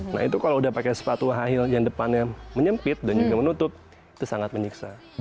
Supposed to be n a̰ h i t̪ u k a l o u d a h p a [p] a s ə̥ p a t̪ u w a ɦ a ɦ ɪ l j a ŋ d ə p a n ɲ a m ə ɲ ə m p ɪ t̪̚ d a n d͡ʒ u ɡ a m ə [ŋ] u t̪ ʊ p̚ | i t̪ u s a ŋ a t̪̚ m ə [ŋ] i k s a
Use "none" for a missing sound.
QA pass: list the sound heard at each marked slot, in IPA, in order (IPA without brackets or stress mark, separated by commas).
k, n, ɲ